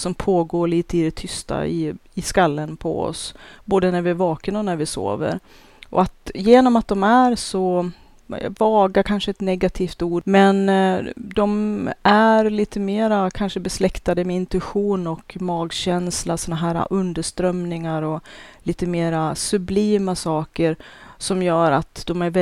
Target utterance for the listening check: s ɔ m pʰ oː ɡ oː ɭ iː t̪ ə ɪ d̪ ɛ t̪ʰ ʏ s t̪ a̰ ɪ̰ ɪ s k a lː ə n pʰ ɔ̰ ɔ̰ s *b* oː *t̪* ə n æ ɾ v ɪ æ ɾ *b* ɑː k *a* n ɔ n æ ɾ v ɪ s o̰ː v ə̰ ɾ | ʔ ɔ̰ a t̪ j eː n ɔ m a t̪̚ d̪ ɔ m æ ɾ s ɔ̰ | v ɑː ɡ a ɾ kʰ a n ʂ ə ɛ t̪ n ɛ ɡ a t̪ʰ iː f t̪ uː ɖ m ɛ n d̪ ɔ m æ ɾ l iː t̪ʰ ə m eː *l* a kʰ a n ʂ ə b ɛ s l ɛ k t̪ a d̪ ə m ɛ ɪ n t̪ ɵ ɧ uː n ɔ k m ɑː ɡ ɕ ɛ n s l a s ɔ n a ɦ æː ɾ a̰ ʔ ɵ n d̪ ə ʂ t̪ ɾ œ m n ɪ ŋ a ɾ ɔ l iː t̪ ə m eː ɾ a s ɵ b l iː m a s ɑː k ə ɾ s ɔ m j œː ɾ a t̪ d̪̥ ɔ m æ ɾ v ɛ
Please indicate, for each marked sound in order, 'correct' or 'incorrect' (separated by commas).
correct, incorrect, incorrect, incorrect, incorrect